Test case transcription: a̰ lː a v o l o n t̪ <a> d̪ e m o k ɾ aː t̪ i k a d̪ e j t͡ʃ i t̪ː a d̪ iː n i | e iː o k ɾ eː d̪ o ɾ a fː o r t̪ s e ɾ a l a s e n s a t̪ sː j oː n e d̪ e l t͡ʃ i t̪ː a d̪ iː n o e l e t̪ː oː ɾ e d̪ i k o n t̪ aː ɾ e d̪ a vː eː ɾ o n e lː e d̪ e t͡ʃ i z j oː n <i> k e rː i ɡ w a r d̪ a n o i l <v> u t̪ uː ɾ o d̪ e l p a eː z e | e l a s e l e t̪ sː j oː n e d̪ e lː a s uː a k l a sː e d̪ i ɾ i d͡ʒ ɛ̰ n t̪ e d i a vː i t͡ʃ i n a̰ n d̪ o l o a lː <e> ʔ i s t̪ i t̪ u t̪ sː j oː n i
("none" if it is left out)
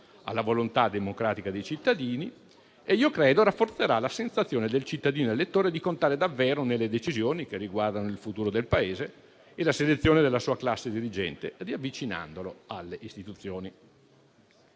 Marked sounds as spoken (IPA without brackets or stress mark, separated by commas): a, i, f, e